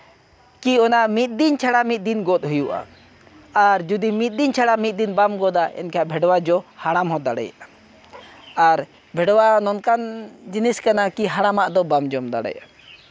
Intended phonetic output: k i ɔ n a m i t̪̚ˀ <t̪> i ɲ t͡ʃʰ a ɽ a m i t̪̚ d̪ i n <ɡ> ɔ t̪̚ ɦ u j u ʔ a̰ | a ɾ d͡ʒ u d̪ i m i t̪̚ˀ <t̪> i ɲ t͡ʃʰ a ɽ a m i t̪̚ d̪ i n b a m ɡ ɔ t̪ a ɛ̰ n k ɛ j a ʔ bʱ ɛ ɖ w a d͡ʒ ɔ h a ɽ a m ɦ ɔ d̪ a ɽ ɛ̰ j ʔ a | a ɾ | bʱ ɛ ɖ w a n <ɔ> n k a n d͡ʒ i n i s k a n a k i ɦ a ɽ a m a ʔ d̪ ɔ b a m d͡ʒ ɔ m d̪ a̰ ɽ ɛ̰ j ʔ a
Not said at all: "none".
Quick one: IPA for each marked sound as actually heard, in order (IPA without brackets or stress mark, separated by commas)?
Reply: d̪, ɡ, d̪, ɔ